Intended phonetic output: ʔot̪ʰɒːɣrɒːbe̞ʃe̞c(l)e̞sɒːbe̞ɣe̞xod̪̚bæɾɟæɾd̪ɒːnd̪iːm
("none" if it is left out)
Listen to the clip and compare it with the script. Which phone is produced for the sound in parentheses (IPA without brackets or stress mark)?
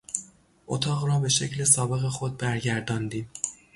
l